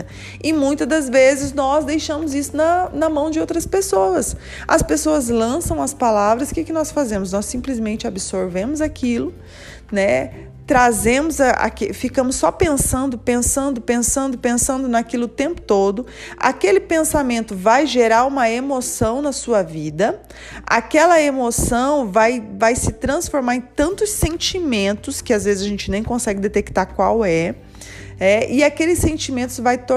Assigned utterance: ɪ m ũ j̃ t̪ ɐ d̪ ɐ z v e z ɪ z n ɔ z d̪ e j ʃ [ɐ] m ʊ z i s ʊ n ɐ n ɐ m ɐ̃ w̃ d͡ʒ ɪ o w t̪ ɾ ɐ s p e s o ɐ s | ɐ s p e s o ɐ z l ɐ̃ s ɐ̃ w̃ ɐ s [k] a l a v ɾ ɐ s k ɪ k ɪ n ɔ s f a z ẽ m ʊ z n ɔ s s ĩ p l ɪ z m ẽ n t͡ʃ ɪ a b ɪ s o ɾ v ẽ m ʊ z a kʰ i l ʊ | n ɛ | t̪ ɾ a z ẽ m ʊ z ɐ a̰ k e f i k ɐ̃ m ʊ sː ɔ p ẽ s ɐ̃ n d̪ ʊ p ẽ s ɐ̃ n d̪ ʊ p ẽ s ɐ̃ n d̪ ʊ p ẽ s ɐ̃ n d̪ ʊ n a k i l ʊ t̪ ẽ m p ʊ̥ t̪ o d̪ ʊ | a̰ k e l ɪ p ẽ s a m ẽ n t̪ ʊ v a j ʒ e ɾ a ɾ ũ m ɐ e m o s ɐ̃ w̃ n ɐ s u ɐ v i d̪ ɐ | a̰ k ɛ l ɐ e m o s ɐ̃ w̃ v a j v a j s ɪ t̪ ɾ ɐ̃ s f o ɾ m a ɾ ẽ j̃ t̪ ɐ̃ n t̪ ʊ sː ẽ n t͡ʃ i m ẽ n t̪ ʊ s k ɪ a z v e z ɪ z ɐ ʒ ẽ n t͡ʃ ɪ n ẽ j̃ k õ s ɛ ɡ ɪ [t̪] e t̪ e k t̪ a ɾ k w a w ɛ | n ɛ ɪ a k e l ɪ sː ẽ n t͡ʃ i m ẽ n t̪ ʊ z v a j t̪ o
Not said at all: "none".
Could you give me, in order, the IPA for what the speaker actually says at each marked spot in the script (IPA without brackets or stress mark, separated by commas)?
ɐ̃, p, d̪